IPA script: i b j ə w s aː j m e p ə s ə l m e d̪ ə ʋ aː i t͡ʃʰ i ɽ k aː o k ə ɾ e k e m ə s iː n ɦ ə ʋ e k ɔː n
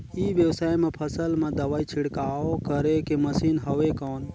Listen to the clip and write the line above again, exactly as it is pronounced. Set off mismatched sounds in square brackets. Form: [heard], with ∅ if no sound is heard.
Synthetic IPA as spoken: i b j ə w s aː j m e [pʰ] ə s ə l m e d̪ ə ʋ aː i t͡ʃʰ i ɽ k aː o k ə ɾ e k e m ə s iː n ɦ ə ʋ e k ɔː n